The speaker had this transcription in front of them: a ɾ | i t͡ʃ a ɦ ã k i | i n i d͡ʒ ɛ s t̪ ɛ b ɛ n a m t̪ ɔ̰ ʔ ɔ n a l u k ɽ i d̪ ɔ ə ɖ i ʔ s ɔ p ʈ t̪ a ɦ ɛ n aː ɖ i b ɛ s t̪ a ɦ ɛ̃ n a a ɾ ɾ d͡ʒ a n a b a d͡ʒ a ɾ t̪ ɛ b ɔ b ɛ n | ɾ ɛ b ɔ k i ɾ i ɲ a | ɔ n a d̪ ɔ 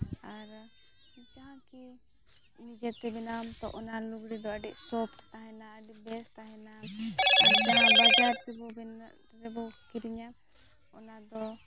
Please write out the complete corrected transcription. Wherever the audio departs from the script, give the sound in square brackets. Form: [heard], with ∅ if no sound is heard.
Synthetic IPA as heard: a ɾ | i t͡ʃ a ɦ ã k i | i n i d͡ʒ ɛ [∅] t̪ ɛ b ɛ n a m t̪ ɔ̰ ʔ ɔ n a l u [ɡ] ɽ i d̪ ɔ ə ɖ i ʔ s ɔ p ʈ t̪ a ɦ ɛ n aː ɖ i b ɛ s t̪ a ɦ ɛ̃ n a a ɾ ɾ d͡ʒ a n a b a d͡ʒ a ɾ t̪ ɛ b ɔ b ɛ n | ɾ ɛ b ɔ k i ɾ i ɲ a | ɔ n a d̪ ɔ